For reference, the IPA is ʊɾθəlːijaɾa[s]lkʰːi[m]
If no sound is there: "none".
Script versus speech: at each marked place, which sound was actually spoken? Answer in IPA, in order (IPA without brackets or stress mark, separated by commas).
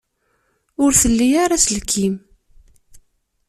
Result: s, m